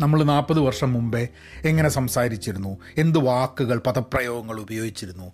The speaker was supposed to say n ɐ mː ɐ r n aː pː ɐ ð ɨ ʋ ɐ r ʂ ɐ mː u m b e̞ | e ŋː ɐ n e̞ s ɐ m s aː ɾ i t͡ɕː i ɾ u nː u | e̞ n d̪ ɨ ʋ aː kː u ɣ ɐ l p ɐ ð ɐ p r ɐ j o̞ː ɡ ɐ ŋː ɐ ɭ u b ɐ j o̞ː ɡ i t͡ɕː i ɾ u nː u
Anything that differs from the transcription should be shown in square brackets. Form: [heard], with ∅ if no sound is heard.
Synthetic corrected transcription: n ɐ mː ɐ [ɭ] n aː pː ɐ ð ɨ ʋ ɐ r ʂ ɐ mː u m b e̞ | e ŋː ɐ n e̞ s ɐ m s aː ɾ i t͡ɕː i ɾ u nː u | e̞ n d̪ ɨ ʋ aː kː u ɣ ɐ [ɭ] p ɐ ð ɐ p r ɐ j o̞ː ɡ ɐ ŋː ɐ ɭ u b ɐ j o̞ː ɡ i t͡ɕː i ɾ u nː u